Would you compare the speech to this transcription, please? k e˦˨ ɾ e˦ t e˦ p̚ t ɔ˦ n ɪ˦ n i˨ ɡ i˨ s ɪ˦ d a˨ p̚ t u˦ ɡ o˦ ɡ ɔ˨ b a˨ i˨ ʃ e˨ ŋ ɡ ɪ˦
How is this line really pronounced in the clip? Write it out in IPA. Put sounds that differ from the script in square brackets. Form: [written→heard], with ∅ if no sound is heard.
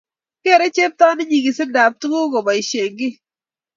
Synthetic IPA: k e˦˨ ɾ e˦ [t→t͡ʃ] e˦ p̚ t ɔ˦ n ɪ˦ [n→ɲ] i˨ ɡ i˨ s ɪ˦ d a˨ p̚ t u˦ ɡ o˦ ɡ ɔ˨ b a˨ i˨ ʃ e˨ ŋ ɡ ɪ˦